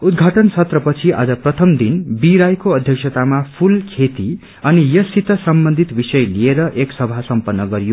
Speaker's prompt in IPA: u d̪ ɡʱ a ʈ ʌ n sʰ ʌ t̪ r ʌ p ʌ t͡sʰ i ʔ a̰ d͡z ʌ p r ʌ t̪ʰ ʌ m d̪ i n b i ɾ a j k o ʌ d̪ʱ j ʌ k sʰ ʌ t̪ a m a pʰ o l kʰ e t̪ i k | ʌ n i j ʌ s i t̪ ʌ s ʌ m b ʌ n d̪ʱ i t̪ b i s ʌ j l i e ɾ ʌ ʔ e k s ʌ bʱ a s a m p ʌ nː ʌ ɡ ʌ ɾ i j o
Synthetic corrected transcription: u d̪ ɡʱ a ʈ ʌ n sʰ ʌ t̪ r ʌ p ʌ t͡sʰ i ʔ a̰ d͡z ʌ p r ʌ t̪ʰ ʌ m d̪ i n b i ɾ a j k o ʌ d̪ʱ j ʌ k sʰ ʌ t̪ a m a pʰ u l kʰ e t̪ i | ʌ n i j ʌ s i t̪ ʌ s ʌ m b ʌ n d̪ʱ i t̪ b i s ʌ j l i e ɾ ʌ ʔ e k s ʌ bʱ a s ʌ m p ʌ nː ʌ ɡ ʌ ɾ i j o